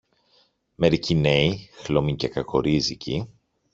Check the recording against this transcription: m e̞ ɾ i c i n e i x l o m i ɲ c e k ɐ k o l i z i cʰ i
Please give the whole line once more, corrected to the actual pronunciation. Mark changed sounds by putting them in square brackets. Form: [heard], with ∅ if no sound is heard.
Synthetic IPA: m e̞ ɾ i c i n e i x l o m i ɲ c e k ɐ k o [ɾ] i z i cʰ i